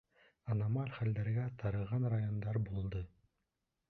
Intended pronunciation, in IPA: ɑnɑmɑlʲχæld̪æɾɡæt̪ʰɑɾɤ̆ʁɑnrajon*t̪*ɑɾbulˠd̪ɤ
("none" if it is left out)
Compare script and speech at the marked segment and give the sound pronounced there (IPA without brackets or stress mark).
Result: d̪